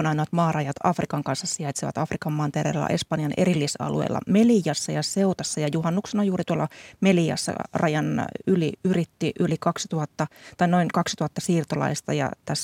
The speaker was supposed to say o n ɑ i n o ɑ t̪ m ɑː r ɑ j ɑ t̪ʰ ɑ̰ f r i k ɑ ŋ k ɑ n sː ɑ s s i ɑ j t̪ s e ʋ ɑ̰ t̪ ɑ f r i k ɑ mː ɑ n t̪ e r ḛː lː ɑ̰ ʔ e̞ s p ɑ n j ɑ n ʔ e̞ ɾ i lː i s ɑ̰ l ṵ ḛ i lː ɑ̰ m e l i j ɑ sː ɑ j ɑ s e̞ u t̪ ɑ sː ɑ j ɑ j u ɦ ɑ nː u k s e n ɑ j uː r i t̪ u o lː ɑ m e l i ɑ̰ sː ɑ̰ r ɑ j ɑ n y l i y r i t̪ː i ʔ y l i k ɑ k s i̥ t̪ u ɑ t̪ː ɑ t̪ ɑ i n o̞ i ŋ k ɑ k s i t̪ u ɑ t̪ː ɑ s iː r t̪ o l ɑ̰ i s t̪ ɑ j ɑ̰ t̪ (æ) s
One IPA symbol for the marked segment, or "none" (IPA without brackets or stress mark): æ